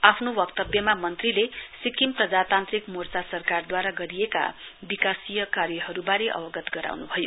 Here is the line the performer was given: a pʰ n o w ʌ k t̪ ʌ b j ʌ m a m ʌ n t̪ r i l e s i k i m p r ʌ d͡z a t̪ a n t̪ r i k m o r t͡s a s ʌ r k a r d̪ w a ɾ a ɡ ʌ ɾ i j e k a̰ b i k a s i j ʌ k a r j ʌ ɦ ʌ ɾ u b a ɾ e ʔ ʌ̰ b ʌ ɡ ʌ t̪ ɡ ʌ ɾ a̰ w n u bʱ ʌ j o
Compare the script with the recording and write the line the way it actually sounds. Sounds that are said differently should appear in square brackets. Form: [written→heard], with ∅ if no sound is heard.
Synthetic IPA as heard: a pʰ n o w ʌ k t̪ ʌ b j ʌ m a m ʌ n t̪ r i l e s i k i m p r ʌ d͡z a t̪ a n t̪ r i k m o r t͡s a s ʌ r k a r d̪ w a ɾ a ɡ ʌ ɾ i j e k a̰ b i k a s i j ʌ k a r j ʌ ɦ ʌ ɾ u b a ɾ e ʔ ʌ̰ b ʌ ɡ ʌ t̪ ɡ ʌ ɾ a̰ w n u bʱ ʌ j o